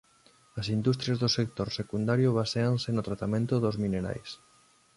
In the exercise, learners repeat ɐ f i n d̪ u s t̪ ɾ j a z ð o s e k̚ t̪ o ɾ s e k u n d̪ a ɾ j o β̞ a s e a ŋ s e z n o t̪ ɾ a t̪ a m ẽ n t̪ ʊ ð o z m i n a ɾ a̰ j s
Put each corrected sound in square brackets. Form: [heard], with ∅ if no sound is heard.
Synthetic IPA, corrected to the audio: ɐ [s] i n d̪ u s t̪ ɾ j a z ð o s e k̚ t̪ o ɾ s e k u n d̪ a ɾ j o β̞ a s e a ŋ s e [∅] n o t̪ ɾ a t̪ a m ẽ n t̪ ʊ ð o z m i n [e] ɾ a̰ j s